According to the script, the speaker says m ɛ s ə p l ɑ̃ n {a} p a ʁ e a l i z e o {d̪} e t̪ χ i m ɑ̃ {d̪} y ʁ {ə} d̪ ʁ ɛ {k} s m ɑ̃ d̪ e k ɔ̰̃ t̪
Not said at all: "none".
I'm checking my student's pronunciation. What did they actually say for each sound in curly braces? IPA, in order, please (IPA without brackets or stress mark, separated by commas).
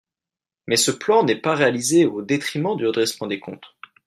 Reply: ɛ, d̪, d̪, ə, none